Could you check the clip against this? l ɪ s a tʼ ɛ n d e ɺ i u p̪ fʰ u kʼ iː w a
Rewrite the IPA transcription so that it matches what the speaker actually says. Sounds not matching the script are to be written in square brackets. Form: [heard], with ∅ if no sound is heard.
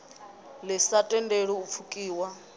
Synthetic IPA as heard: l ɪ s a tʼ ɛ n d e ɺ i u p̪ fʰ u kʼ iː w a